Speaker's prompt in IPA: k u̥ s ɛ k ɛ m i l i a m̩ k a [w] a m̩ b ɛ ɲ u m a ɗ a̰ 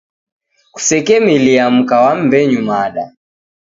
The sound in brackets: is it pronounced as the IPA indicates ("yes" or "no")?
yes